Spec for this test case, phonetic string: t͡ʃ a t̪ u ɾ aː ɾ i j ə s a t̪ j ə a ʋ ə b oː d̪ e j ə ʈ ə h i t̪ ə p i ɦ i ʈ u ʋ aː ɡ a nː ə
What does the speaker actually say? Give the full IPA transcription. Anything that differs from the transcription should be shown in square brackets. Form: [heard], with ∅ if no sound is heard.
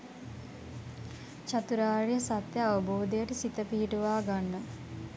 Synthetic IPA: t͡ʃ a t̪ u ɾ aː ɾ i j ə s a t̪ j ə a ʋ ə b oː d̪ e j ə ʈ ə [s] i t̪ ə p i ɦ i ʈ u ʋ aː ɡ a nː ə